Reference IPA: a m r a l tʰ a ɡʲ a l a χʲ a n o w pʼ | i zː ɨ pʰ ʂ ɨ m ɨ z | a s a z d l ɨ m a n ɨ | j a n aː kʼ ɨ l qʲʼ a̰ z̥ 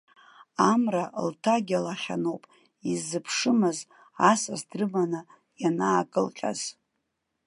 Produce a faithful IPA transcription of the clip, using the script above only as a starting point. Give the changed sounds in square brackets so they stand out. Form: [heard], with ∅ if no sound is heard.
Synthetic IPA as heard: a m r a l tʰ a ɡʲ a l a χʲ a n o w pʼ | i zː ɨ pʰ ʂ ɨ m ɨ z | a s a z d [r] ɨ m a n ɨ | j a n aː kʼ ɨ l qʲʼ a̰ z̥